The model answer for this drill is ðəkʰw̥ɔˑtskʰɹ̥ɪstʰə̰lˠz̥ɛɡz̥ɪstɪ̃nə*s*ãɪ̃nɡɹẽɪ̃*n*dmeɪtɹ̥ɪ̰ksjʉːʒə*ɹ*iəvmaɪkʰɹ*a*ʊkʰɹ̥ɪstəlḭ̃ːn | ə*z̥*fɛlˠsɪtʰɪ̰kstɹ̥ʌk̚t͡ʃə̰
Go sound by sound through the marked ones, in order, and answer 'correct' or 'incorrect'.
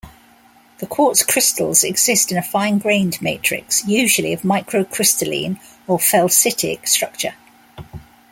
incorrect: f, correct, incorrect: l, incorrect: ə, incorrect: none

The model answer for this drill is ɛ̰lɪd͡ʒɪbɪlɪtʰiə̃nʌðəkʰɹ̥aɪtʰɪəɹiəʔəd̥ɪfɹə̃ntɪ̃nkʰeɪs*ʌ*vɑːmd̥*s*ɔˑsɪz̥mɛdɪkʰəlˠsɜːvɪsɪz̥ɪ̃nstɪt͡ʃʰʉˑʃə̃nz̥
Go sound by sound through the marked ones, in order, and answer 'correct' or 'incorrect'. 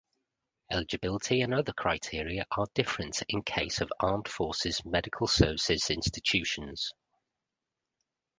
incorrect: ə, incorrect: f

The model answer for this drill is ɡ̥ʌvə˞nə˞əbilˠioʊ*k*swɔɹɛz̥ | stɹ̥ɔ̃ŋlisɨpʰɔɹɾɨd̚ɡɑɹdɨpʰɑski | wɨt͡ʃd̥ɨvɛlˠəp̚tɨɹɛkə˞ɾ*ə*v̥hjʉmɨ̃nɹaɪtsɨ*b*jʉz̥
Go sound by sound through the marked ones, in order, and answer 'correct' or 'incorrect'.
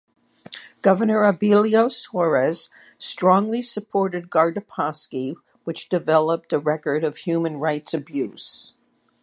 incorrect: none, incorrect: ʌ, correct

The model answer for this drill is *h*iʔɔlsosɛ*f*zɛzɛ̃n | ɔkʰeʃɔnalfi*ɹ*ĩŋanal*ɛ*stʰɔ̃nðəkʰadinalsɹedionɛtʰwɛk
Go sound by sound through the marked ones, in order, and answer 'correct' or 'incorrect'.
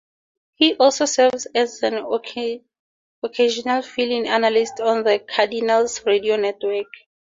correct, incorrect: v, incorrect: l, incorrect: i

